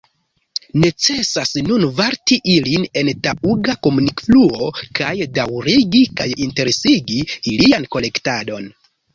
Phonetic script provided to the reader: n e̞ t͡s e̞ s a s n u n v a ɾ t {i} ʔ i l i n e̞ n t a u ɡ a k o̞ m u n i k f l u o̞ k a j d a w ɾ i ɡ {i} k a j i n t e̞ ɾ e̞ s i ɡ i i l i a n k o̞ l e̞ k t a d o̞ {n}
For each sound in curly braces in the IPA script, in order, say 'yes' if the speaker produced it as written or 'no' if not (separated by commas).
yes, yes, yes